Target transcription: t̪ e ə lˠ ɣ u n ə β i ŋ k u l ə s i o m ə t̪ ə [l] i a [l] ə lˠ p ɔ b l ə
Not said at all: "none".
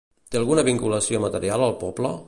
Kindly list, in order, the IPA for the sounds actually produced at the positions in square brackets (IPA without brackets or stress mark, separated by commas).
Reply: ɾ, l